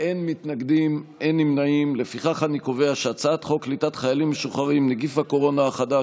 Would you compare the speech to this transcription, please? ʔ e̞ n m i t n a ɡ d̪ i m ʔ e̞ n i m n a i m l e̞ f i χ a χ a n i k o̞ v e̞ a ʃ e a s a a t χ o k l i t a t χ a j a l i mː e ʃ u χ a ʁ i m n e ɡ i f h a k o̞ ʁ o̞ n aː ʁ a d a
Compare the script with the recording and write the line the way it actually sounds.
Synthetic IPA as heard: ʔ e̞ n m i t n a ɡ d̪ i m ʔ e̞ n i m n a i m l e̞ f i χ a χ a n i k o̞ v e̞ a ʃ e a t͡s a a t χ o k l i t a t χ a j a l i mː e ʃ u χ a ʁ i m n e ɡ i f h a k o̞ ʁ o̞ n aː χ a d a